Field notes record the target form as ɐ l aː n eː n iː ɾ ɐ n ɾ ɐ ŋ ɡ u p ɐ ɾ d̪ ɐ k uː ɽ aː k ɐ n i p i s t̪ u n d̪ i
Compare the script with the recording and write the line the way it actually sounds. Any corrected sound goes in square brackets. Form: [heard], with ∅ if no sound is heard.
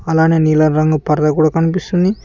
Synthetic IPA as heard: ɐ l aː n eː n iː [l] ɐ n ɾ ɐ ŋ ɡ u p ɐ ɾ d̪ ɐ k uː ɽ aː k ɐ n i p i s t̪ u n d̪ i